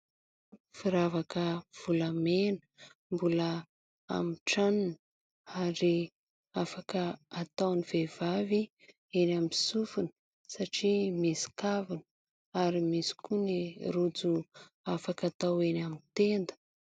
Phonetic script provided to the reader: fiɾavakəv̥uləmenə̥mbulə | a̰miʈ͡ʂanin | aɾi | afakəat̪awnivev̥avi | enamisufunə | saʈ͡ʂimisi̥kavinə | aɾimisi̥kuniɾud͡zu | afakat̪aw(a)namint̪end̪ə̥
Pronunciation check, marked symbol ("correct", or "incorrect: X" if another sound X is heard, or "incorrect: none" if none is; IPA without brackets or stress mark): incorrect: e